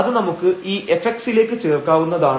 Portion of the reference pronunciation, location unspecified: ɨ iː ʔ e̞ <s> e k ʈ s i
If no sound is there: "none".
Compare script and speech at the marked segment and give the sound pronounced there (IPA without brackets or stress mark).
f